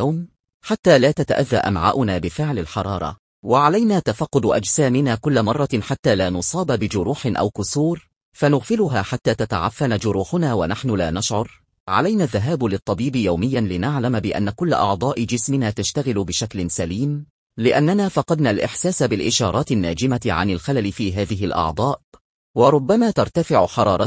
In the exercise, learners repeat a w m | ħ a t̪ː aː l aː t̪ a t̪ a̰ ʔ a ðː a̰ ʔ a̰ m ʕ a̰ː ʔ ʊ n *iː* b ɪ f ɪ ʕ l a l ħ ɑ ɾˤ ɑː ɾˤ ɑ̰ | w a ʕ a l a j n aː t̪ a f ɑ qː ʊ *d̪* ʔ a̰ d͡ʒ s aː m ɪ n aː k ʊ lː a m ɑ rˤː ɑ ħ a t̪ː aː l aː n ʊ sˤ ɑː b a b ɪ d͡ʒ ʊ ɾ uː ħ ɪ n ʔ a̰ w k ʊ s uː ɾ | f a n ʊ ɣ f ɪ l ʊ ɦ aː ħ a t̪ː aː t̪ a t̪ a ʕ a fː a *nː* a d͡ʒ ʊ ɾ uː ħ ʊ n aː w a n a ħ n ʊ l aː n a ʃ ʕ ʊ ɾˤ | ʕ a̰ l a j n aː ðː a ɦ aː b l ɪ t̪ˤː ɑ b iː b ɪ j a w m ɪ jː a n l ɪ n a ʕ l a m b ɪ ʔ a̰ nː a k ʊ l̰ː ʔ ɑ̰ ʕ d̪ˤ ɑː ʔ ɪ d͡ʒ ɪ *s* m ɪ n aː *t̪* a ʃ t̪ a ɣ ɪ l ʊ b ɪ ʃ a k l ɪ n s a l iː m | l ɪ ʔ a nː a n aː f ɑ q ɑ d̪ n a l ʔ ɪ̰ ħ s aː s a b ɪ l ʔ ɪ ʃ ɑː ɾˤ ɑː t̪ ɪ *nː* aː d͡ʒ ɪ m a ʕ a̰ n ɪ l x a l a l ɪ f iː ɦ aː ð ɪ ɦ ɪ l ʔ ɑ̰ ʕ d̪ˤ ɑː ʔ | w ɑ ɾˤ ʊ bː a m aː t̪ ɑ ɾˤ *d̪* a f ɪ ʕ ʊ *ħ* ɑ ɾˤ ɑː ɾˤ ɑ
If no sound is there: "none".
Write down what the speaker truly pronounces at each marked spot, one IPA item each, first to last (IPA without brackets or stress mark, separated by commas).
aː, d̪, n, s, t̪, nː, t̪, ħ